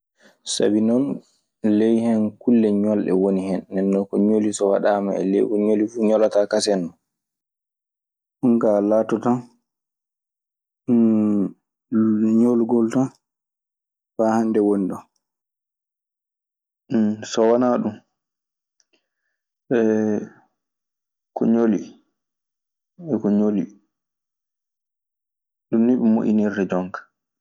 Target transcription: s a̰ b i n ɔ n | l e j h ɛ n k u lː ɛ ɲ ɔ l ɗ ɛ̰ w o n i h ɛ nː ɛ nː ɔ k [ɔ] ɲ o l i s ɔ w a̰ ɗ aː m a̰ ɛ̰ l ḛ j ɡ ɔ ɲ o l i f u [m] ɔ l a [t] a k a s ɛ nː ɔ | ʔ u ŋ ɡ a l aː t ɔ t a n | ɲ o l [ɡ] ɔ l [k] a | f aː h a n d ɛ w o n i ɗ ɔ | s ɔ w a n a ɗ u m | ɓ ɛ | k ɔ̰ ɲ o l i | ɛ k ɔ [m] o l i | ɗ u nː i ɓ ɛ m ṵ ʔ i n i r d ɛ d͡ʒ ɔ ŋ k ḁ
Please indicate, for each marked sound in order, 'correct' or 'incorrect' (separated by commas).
correct, incorrect, correct, correct, incorrect, incorrect